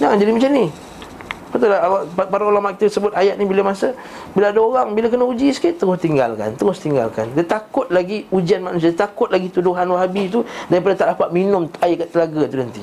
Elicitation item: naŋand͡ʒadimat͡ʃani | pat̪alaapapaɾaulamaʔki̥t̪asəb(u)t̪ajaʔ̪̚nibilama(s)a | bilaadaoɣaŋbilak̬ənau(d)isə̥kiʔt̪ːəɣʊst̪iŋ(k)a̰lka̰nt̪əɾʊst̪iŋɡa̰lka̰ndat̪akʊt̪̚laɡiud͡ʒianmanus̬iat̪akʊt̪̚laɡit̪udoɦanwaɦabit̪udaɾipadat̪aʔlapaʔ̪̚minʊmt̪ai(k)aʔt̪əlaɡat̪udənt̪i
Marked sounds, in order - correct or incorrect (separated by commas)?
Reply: incorrect, correct, incorrect, incorrect, correct